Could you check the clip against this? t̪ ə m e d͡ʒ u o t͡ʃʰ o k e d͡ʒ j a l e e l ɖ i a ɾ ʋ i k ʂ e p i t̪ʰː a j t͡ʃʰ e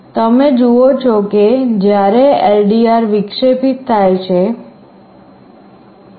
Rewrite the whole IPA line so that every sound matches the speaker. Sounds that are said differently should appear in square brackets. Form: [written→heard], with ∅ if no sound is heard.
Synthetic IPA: t̪ ə m e d͡ʒ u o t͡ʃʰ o k e d͡ʒ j a [l→ɾ] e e l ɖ i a ɾ ʋ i k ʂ e p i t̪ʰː a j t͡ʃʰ e